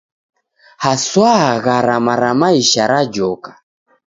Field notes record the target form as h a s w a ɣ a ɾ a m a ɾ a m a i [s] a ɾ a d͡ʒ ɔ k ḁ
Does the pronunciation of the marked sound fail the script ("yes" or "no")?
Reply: yes